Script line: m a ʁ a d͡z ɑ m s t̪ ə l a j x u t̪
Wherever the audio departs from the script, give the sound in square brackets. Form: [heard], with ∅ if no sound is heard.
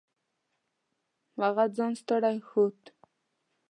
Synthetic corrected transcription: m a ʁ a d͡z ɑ [n] s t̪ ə [ɽ] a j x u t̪